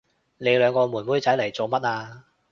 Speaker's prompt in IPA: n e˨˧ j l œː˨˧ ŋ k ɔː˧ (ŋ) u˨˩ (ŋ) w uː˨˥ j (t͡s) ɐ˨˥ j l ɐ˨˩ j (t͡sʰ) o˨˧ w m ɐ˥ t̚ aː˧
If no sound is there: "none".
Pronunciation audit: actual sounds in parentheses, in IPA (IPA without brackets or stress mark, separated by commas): m, n, t͡s, t͡s